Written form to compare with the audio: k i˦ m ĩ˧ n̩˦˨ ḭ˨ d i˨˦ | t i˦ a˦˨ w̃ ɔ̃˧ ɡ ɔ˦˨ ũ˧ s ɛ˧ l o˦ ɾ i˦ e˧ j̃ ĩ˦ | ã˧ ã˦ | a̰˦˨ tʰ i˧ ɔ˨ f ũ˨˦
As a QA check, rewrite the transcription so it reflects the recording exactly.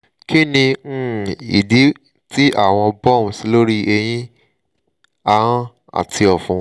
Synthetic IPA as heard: k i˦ n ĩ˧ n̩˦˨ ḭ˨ d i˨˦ | t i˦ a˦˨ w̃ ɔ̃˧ b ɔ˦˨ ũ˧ s i˧ l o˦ ɾ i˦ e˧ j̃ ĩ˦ | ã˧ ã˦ | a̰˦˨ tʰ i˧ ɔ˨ f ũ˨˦